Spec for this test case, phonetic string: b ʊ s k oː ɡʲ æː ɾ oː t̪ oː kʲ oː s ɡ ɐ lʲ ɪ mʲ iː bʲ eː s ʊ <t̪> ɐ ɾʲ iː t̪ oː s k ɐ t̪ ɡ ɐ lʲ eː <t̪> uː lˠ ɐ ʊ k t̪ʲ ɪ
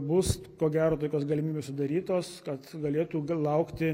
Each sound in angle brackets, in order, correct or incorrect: incorrect: d̪, correct

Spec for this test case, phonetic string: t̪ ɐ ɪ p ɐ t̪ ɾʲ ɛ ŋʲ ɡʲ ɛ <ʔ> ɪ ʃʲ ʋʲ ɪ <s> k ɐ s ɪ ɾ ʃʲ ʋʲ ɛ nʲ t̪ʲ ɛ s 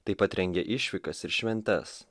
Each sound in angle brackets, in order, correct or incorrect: correct, incorrect: none

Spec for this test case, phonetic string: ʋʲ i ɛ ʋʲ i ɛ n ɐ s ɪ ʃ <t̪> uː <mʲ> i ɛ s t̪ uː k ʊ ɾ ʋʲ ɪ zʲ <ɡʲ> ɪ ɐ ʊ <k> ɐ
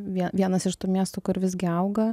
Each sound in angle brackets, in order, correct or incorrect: correct, correct, correct, incorrect: ɡ

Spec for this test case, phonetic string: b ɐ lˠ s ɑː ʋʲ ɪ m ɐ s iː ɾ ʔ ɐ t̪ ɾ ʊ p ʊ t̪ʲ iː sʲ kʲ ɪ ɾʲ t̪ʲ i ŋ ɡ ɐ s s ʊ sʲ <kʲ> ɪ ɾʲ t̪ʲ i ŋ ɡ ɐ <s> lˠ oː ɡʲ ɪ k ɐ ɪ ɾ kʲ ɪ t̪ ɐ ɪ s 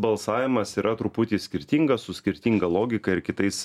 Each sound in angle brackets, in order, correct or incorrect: correct, incorrect: none

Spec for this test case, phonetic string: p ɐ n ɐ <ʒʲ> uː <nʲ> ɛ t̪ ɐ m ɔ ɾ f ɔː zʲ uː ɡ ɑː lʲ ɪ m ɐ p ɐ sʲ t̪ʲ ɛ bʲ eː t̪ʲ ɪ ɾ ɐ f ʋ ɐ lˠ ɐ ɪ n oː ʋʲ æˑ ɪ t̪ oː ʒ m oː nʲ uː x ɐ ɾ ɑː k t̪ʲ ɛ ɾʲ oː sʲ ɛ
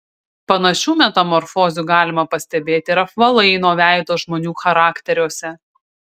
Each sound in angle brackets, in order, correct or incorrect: incorrect: ʃʲ, incorrect: mʲ

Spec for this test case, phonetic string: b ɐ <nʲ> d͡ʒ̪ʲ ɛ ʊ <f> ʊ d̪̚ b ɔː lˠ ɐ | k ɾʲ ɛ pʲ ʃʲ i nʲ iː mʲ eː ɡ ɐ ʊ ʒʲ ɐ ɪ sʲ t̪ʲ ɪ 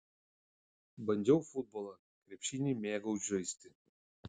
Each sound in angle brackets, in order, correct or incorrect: correct, correct

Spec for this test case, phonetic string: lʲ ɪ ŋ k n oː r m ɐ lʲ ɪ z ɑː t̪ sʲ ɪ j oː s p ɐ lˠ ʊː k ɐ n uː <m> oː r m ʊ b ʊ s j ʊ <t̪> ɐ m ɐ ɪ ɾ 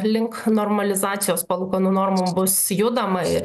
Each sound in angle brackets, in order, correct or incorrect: incorrect: n, incorrect: d̪

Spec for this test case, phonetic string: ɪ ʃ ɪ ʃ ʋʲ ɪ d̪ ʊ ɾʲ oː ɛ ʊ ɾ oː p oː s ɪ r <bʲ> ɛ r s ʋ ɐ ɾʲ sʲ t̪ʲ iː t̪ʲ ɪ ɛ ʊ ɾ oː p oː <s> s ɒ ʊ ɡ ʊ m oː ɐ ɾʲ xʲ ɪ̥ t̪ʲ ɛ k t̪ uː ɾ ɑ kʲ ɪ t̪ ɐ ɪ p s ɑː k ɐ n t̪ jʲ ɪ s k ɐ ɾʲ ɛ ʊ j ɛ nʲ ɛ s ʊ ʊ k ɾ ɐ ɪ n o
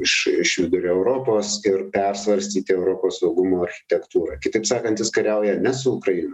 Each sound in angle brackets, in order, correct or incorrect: incorrect: pʲ, correct

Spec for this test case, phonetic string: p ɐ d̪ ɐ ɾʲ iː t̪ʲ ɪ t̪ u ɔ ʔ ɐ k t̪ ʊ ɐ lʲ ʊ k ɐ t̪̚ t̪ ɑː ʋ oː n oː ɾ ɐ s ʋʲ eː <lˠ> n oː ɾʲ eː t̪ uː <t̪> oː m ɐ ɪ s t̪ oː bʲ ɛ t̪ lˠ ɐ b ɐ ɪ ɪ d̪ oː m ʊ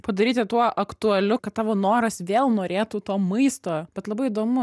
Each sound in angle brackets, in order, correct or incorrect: correct, correct

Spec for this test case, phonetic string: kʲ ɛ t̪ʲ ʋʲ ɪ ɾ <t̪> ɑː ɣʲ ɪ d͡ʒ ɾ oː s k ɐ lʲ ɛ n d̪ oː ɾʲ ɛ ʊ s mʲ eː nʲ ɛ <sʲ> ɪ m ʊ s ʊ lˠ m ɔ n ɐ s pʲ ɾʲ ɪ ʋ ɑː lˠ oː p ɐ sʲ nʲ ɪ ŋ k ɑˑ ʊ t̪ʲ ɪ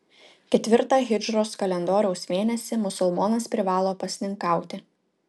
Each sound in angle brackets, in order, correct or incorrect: correct, correct

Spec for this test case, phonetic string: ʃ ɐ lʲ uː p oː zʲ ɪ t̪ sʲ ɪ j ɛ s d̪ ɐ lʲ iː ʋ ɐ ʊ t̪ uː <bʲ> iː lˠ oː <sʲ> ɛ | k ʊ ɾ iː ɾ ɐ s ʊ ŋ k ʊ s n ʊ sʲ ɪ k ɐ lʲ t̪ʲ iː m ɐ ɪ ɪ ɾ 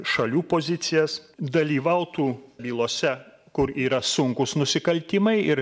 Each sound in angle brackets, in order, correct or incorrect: correct, correct

